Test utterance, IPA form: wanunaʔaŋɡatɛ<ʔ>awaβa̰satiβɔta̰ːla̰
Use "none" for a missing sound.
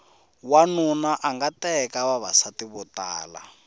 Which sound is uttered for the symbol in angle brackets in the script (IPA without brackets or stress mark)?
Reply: k